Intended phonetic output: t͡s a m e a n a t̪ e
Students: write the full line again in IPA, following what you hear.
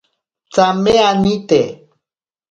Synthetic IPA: t͡s a m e a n i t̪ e